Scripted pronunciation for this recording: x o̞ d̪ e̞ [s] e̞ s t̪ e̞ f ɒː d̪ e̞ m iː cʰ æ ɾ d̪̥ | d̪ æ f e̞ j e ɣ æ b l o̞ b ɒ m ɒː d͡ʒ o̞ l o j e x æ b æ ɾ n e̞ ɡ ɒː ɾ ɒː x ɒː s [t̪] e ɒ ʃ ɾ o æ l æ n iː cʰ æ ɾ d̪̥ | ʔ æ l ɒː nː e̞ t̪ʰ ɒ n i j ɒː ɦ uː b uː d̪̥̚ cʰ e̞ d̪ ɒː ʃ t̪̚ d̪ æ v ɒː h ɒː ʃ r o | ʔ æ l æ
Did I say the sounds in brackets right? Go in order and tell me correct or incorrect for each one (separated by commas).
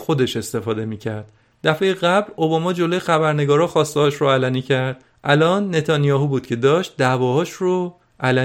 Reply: incorrect, correct